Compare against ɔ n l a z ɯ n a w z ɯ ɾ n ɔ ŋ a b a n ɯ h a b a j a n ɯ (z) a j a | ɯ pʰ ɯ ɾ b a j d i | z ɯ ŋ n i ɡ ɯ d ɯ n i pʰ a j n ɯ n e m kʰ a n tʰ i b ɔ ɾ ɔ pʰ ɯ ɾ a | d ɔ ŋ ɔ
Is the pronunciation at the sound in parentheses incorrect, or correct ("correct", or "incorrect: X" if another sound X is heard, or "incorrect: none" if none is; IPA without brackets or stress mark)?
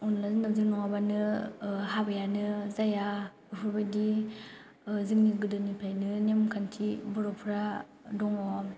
correct